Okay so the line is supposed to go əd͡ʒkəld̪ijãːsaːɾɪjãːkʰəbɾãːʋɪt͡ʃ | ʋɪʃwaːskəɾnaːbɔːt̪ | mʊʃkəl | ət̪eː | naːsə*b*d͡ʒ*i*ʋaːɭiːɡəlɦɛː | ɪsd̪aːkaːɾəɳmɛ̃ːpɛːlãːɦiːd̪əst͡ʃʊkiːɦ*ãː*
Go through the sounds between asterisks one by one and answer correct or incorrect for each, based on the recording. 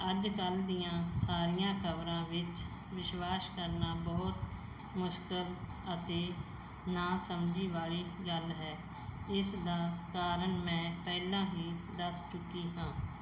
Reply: incorrect, incorrect, correct

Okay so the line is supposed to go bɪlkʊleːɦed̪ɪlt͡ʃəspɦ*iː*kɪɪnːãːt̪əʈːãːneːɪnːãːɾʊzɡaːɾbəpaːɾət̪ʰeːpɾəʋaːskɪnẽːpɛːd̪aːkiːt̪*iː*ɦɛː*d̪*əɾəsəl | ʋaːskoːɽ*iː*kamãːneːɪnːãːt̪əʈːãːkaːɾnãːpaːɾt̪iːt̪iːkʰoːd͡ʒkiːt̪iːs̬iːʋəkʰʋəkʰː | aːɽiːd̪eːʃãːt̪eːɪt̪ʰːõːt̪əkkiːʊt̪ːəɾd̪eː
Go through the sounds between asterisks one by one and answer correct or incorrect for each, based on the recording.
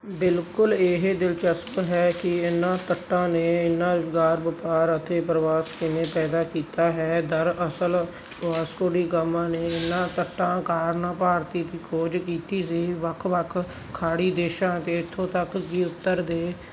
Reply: incorrect, incorrect, correct, correct

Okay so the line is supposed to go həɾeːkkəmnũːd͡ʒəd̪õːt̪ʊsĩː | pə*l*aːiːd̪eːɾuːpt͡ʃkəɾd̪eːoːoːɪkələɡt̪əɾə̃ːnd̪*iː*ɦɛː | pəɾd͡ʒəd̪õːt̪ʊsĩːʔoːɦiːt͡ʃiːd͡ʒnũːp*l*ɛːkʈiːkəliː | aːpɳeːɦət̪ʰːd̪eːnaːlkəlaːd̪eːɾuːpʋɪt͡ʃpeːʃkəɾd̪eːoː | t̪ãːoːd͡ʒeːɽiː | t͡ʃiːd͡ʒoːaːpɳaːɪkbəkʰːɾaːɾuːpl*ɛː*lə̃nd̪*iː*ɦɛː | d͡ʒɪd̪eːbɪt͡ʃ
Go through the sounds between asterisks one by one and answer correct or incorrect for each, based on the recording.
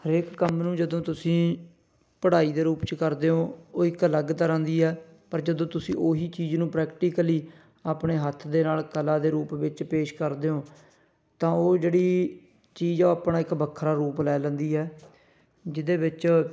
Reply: incorrect, correct, incorrect, correct, correct

